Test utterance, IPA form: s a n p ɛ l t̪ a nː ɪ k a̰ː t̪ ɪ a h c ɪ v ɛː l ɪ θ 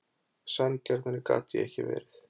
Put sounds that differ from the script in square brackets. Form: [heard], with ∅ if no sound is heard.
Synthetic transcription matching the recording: s a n [c] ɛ [ɾ] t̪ a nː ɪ k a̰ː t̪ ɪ [ɛ] h c ɪ v ɛː [ɾ] ɪ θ